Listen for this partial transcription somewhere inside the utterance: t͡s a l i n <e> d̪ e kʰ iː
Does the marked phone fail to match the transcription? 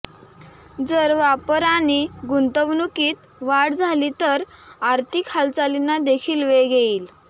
yes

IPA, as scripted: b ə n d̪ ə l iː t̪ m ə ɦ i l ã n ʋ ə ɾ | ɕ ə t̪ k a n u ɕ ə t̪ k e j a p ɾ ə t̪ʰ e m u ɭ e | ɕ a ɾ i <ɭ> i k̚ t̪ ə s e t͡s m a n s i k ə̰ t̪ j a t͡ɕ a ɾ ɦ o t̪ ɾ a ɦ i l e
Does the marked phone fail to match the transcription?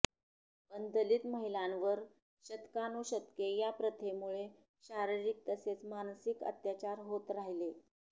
yes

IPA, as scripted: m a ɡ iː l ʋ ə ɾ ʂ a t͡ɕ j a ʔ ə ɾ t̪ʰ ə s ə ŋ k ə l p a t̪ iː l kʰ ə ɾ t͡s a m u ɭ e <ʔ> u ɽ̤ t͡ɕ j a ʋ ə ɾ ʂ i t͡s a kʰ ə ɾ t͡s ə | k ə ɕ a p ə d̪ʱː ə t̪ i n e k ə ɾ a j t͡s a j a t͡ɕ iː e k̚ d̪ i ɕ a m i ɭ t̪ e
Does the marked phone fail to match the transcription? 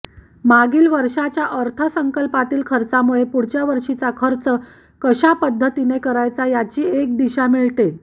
yes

